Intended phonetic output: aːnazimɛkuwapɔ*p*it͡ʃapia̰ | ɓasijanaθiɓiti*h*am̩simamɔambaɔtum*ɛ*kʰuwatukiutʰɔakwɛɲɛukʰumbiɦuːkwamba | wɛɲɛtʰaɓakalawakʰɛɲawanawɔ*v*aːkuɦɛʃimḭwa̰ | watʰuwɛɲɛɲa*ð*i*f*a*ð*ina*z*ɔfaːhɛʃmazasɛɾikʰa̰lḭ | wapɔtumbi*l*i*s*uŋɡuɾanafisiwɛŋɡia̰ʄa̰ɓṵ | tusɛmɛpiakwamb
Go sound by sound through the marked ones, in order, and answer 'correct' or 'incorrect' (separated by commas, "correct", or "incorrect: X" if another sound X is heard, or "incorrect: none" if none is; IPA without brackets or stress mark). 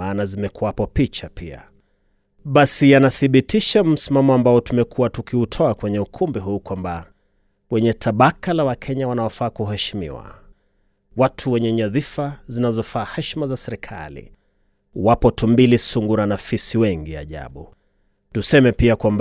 correct, incorrect: ʃ, correct, incorrect: f, correct, correct, incorrect: z, correct, correct, correct